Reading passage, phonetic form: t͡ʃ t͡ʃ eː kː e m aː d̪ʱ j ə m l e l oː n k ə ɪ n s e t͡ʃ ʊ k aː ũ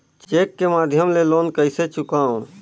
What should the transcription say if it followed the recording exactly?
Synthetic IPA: t͡ʃ t͡ʃ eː kː e m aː d̪ʱ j ə m l e l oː n k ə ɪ s e t͡ʃ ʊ k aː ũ